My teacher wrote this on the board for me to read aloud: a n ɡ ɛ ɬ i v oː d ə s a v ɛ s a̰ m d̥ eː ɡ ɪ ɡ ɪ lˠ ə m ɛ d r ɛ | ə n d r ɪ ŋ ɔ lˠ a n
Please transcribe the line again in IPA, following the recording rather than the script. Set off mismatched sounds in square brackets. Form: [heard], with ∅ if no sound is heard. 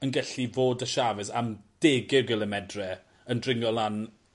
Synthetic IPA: [ə] n ɡ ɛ ɬ i v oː d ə [ʃ] a v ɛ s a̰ m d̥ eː ɡ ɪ ɡ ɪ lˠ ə m ɛ d r ɛ | ə n d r ɪ ŋ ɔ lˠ a n